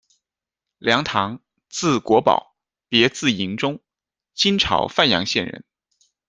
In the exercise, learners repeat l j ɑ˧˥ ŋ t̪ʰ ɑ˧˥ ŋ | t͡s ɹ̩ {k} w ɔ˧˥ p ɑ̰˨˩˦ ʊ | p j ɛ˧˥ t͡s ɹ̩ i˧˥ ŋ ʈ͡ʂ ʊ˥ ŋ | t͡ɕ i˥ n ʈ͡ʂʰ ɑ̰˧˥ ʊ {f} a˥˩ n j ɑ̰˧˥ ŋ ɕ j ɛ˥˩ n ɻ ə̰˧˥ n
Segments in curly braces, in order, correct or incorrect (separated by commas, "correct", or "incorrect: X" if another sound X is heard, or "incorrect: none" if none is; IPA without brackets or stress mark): correct, correct